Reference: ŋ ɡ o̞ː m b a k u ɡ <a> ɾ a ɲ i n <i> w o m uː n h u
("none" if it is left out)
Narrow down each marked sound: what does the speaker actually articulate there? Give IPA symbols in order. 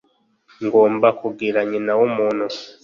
i, a

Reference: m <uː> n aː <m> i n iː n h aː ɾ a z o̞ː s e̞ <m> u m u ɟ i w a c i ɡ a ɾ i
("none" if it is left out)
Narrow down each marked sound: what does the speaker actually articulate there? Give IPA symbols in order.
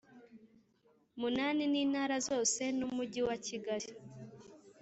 u, n, n

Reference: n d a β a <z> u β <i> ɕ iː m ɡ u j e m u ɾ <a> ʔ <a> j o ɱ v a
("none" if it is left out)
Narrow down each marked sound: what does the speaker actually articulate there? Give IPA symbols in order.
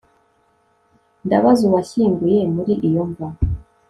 z, a, i, i

